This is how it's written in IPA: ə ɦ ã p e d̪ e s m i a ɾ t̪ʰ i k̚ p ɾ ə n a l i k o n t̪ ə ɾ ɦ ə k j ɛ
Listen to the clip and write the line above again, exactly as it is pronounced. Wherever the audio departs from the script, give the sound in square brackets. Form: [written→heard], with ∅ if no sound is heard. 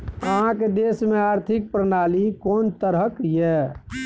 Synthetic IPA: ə ɦ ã [p→k] e d̪ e s m [i→e] a ɾ t̪ʰ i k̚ p ɾ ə n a l i k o n t̪ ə ɾ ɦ ə k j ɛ